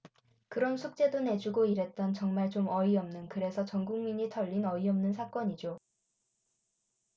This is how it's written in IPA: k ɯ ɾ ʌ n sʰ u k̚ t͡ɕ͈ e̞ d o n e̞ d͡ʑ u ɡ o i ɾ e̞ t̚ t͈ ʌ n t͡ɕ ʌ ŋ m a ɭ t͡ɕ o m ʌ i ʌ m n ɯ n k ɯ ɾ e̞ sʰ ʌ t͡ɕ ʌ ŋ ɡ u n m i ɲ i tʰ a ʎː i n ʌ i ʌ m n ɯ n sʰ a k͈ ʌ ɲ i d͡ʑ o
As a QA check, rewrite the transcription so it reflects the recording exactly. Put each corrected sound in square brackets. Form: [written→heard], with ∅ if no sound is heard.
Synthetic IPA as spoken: k ɯ ɾ ʌ n sʰ u k̚ t͡ɕ͈ e̞ d o n e̞ d͡ʑ u ɡ o i ɾ e̞ t̚ t͈ ʌ n t͡ɕ ʌ ŋ m a ɭ t͡ɕ o m ʌ i ʌ m n ɯ n k ɯ ɾ e̞ sʰ ʌ t͡ɕ ʌ ŋ ɡ u [n→ŋ] m i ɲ i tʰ [a→ʌ] ʎː i n ʌ i ʌ m n ɯ n sʰ a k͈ ʌ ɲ i d͡ʑ o